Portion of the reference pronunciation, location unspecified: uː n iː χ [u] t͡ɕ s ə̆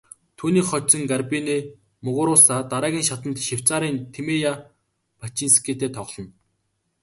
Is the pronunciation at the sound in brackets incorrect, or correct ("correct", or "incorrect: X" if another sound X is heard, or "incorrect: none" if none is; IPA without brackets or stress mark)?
incorrect: ɔ